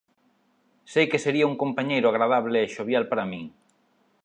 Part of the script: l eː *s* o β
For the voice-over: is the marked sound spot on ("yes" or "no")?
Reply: no